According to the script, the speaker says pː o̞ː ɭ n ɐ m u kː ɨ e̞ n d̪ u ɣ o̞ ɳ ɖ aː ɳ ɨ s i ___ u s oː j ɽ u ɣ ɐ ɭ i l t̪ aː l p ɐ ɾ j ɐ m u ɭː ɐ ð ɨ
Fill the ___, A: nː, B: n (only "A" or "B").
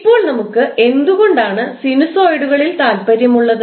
B